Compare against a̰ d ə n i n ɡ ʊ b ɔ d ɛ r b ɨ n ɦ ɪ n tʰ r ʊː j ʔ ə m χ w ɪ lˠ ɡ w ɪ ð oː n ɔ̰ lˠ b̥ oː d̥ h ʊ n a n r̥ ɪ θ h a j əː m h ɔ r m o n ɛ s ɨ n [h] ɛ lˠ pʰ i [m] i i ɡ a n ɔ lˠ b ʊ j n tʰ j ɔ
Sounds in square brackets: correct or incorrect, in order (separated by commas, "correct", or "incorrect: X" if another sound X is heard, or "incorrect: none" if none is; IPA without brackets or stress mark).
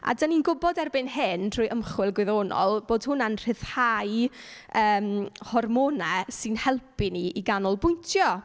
correct, incorrect: n